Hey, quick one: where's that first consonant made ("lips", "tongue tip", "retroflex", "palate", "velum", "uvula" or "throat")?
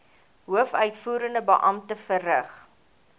throat